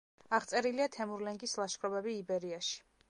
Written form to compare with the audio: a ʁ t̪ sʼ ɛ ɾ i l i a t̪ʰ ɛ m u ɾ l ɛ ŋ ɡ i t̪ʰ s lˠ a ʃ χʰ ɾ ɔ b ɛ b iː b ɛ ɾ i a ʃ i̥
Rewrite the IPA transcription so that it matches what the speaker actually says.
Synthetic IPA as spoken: a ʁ t̪ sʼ ɛ ɾ i l i a t̪ʰ ɛ m u ɾ l ɛ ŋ ɡ i s lˠ a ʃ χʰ ɾ ɔ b ɛ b iː b ɛ ɾ i a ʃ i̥